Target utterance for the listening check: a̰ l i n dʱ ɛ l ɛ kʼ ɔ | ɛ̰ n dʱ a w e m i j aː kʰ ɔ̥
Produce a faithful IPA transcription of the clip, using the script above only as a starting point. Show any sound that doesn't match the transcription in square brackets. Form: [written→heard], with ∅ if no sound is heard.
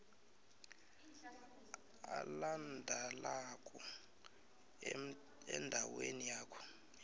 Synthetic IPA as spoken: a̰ l [i→a] n dʱ [ɛ→a] l [ɛ→a] kʼ ɔ | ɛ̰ n dʱ a w e [m→n] i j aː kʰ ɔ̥